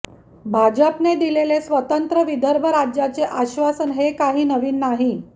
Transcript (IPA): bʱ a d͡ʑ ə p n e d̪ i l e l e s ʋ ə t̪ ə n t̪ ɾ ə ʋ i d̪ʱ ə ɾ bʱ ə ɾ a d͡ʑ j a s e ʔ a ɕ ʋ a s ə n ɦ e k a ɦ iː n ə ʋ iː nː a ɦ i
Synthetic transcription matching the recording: bʱ a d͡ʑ ə p n e d̪ i l e l e s ʋ ə t̪ ə n t̪ ɾ ə ʋ i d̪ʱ ə ɾ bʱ ə ɾ a d͡ʑ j a t͡s e ʔ a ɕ ʋ a s ə n ɦ e k a ɦ iː n ə ʋ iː nː a ɦ i

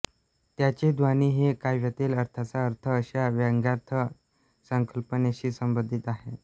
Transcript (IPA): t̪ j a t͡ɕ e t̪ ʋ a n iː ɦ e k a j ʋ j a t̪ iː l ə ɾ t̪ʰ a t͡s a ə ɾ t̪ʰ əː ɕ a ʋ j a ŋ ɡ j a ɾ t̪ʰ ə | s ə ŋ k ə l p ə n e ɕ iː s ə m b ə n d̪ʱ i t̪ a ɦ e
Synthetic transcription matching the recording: t̪ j a t͡ɕ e d̪ ʋ a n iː ɦ e k a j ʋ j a t̪ iː l ə ɾ t̪ʰ a t͡s a ə ɾ t̪ʰ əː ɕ a ʋ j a ŋ ɡ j a ɾ t̪ʰ ə | s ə ŋ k ə l p ə n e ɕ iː s ə m b ə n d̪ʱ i t̪ a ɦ e

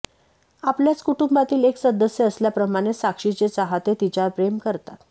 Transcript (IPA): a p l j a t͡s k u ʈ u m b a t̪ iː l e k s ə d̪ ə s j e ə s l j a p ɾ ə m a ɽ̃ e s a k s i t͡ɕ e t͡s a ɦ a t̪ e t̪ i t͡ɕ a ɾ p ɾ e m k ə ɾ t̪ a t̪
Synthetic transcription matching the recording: a p l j a t͡s k u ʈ u m b a t̪ iː l e k s ə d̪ ə s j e ə s l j a p ɾ ə m a ɽ̃ e s a k ʂ i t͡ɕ e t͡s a ɦ a t̪ e t̪ i t͡ɕ a ɾ p ɾ e m k ə ɾ t̪ a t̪

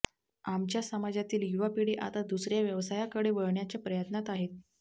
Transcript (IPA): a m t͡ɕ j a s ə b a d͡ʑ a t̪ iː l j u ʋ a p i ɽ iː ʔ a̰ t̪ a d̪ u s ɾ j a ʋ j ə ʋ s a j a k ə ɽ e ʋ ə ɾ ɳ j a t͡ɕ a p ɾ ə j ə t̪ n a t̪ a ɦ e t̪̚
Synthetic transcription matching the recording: a m t͡ɕ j a s ə m a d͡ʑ a t̪ iː l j u ʋ a p i ɽ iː ʔ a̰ t̪ a d̪ u s ɾ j a ʋ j ə ʋ s a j a k ə ɽ e ʋ ə ɭ ɳ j a t͡ɕ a p ɾ ə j ə t̪ n a t̪ a ɦ e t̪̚

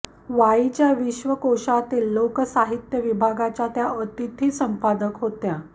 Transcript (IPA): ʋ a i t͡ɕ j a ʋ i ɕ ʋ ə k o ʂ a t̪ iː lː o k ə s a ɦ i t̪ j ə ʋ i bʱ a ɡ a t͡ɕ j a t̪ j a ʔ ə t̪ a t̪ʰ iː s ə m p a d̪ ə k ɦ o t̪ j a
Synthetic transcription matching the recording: ʋ a i t͡ɕ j a ʋ i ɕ ʋ ə k o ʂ a t̪ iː lː o k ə s a ɦ i t̪ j ə ʋ i bʱ a ɡ a t͡ɕ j a t̪ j a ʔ ə t̪ i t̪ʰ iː s ə m p a d̪ ə k ɦ o t̪ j a

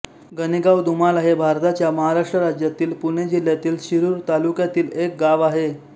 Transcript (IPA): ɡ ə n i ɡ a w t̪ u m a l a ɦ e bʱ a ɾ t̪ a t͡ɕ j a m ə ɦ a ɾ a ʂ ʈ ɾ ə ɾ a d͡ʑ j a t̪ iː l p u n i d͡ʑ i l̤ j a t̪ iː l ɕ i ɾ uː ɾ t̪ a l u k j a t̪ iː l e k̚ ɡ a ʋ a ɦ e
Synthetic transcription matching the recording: ɡ ə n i ɡ a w d̪ u m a l a ɦ e bʱ a ɾ t̪ a t͡ɕ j a m ə ɦ a ɾ a ʂ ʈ ɾ ə ɾ a d͡ʑ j a t̪ iː l p u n e d͡ʑ i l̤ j a t̪ iː l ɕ i ɾ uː ɾ t̪ a l u k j a t̪ iː l e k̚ ɡ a ʋ a ɦ e

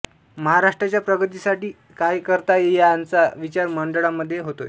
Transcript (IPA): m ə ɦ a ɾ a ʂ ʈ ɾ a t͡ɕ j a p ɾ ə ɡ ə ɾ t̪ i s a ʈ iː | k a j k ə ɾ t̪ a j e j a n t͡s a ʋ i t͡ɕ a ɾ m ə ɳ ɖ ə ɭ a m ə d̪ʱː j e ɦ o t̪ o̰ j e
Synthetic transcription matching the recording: m ə ɦ a ɾ a ʂ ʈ ɾ a t͡ɕ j a p ɾ ə ɡ ə t̪ i s a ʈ iː | k a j k ə ɾ t̪ a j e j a n t͡s a ʋ i t͡ɕ a ɾ m ə ɳ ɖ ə ɭ a m ə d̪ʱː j e ɦ o t̪ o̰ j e

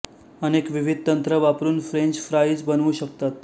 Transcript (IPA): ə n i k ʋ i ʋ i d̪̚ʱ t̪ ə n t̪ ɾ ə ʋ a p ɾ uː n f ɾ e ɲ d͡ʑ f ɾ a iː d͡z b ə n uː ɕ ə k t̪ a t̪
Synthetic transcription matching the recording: ə n e k ʋ i ʋ i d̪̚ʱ t̪ ə n t̪ ɾ ə ʋ a p ɾ uː n f ɾ e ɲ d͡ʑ f ɾ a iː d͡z b ə n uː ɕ ə k t̪ a t̪

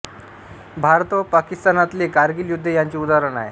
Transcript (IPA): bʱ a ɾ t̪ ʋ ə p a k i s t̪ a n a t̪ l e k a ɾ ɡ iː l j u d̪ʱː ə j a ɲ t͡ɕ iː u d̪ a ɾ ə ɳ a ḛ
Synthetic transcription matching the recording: bʱ a ɾ t̪ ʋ ə p a k i s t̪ a n a t̪ l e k a ɾ ɡ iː l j u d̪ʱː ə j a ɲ t͡ɕ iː u d̪ a ɾ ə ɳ a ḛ

